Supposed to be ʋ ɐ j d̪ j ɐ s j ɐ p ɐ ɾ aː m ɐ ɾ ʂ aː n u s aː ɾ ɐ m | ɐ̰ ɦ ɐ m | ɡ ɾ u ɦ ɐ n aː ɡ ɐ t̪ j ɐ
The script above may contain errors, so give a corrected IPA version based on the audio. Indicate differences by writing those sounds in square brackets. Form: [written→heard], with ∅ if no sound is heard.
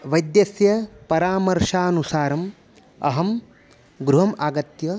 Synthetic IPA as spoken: ʋ ɐ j d̪ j ɐ s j ɐ p ɐ ɾ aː m ɐ ɾ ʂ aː n u s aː ɾ ɐ m | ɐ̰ ɦ ɐ m | ɡ ɾ u ɦ ɐ [n→m] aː ɡ ɐ t̪ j ɐ